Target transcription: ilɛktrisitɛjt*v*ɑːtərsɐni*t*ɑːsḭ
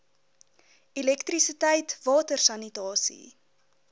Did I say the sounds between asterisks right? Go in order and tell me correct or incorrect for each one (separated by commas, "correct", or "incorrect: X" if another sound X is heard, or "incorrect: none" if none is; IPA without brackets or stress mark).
correct, correct